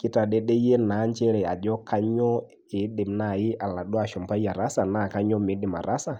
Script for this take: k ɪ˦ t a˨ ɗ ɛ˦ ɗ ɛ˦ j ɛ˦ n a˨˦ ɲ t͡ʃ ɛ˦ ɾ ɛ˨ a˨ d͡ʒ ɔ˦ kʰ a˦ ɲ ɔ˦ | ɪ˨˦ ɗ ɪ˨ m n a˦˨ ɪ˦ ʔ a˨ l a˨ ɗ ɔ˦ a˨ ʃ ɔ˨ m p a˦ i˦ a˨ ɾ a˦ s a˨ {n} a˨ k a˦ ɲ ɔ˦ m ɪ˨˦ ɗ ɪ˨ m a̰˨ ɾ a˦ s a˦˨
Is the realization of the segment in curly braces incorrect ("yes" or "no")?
no